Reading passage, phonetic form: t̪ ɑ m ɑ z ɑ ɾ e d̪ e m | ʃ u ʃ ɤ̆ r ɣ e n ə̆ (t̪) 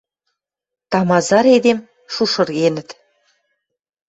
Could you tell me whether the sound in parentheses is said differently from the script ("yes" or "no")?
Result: no